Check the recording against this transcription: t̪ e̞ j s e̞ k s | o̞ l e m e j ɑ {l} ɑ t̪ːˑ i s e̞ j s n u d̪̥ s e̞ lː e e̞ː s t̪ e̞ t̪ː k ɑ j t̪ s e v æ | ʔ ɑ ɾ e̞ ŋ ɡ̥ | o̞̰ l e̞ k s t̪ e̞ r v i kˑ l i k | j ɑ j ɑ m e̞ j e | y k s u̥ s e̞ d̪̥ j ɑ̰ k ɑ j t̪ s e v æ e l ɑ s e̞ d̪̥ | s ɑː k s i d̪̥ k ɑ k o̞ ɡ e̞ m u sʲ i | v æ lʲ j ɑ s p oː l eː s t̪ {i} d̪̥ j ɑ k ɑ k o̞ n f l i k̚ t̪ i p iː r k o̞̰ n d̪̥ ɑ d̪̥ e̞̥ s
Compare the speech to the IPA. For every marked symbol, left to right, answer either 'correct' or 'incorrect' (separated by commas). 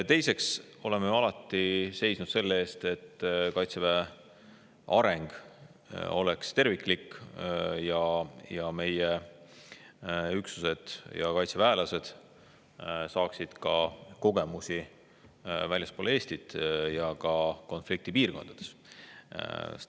correct, correct